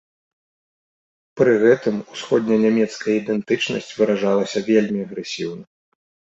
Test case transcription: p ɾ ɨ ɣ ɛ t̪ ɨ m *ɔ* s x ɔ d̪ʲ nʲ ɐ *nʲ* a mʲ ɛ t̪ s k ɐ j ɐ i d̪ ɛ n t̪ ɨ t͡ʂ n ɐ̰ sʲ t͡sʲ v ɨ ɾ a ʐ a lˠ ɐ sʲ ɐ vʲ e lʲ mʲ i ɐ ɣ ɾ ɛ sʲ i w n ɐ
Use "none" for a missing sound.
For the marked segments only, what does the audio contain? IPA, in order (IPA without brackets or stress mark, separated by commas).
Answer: u, nʲ